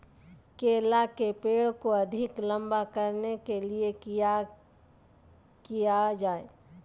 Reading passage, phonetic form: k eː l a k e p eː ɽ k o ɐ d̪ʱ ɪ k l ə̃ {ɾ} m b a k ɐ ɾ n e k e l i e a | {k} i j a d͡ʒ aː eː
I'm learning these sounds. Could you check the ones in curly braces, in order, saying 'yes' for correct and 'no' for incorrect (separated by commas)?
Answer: no, yes